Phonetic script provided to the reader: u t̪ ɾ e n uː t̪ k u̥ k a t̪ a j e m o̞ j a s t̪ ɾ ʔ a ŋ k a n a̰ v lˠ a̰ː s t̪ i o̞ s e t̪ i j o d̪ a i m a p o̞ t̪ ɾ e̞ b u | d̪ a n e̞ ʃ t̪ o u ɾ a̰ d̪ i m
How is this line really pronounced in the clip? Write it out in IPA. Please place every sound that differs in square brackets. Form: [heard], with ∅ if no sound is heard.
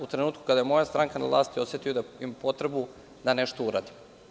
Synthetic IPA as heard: u t̪ ɾ e n uː t̪ k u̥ k a [d̪] a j e m o̞ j a s t̪ ɾ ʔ a ŋ k a n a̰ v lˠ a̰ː s t̪ i o̞ s e t̪ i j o d̪ a i m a p o̞ t̪ ɾ e̞ b u | d̪ a n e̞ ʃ t̪ o u ɾ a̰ d̪ i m